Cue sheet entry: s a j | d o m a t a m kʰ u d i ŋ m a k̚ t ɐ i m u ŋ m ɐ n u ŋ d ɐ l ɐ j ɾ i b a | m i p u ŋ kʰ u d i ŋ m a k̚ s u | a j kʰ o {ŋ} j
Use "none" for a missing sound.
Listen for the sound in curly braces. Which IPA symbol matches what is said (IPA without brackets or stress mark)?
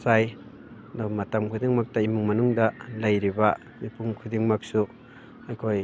none